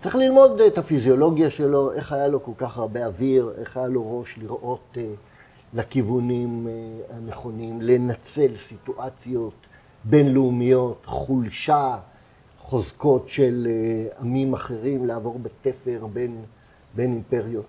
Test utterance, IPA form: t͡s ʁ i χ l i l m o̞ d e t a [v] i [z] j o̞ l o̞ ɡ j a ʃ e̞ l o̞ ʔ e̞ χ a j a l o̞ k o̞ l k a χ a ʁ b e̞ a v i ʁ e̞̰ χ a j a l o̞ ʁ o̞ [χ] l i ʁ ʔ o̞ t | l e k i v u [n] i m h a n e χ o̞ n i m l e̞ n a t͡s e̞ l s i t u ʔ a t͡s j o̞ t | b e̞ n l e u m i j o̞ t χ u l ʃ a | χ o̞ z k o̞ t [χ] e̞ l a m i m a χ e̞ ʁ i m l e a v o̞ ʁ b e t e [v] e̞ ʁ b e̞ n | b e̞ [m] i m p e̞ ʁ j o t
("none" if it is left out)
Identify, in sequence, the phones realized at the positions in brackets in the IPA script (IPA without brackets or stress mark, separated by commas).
f, z, ʃ, n, ʃ, f, n